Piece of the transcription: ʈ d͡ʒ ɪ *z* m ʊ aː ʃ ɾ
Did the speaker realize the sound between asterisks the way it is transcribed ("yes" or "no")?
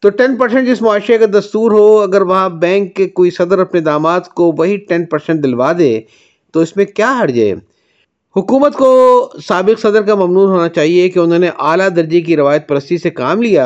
no